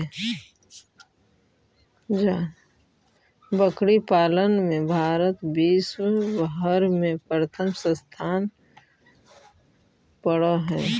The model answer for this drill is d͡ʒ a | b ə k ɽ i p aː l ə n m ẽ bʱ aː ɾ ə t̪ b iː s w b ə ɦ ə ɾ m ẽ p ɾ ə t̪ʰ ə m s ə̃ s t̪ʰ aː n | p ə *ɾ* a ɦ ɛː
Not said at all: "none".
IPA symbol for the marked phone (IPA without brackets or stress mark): ɽ